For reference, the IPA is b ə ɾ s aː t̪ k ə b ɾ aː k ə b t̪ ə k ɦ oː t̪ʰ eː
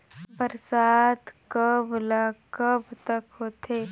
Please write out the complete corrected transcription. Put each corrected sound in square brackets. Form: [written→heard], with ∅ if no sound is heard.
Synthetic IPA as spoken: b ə ɾ s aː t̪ k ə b [ɾ→l] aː k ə b t̪ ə k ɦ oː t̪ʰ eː